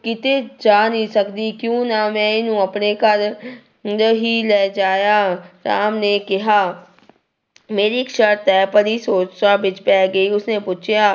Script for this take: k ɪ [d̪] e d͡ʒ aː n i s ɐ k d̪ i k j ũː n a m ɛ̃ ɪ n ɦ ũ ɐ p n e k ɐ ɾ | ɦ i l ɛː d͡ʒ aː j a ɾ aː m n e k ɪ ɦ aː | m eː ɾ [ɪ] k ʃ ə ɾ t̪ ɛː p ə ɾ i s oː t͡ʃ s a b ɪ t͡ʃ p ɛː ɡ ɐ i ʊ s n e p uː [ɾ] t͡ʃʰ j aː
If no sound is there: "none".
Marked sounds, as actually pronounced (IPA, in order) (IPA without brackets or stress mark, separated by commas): t̪, i, none